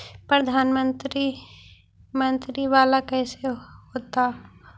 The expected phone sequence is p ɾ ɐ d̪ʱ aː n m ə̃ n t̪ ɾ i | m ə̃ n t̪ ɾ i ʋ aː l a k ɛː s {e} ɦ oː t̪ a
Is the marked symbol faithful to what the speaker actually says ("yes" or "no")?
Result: yes